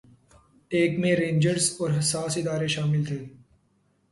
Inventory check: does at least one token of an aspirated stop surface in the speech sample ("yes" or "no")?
yes